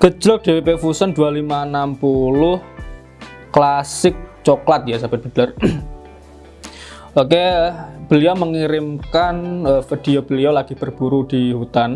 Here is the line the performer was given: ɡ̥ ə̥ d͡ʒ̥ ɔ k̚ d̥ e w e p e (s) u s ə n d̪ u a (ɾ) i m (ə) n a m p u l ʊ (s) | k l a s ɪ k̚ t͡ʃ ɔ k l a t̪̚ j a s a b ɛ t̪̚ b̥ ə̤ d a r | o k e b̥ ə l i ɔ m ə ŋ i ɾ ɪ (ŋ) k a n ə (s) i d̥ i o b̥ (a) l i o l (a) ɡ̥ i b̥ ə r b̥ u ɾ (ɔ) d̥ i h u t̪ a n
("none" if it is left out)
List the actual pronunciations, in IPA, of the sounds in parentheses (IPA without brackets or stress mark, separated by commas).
f, l, a, h, m, f, ə, a, u